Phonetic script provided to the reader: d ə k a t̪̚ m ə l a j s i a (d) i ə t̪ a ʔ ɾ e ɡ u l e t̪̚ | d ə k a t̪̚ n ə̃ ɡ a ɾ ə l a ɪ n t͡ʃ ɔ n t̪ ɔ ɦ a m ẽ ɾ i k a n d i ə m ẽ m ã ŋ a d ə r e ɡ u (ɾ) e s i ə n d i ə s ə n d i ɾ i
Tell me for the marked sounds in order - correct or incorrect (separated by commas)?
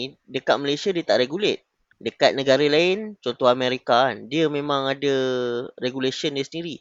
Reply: correct, incorrect